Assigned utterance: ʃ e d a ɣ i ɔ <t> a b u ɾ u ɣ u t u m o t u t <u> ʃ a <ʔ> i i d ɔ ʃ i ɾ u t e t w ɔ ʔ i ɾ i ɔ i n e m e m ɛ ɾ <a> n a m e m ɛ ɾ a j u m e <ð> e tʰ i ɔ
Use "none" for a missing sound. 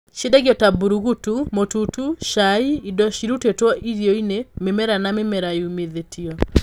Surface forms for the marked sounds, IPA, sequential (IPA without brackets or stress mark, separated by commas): t, u, none, a, ð